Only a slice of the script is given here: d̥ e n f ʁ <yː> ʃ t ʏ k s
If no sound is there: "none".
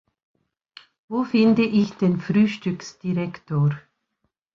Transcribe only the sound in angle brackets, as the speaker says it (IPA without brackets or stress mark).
yː